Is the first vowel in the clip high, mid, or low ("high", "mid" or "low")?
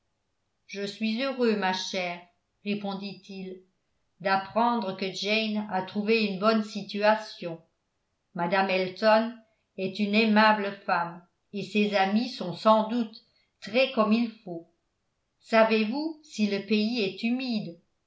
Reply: mid